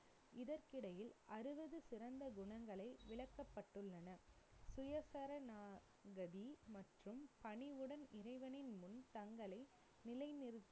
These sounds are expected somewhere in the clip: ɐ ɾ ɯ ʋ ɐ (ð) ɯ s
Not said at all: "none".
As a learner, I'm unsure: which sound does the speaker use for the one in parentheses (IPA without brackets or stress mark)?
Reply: ð